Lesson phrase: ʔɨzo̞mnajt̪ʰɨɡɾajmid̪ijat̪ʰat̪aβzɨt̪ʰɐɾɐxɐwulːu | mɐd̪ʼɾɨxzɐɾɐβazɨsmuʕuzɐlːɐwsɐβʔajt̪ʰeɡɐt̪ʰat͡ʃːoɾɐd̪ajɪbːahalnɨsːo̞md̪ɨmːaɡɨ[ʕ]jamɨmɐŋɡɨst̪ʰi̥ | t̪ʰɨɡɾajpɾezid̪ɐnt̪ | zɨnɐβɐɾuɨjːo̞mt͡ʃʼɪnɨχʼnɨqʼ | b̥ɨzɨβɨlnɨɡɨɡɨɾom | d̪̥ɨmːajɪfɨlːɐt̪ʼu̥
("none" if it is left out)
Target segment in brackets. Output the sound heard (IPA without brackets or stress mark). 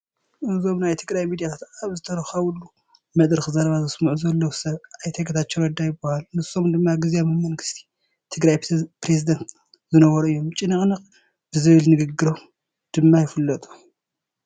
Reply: z